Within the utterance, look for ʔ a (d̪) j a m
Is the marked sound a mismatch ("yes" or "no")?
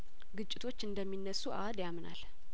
no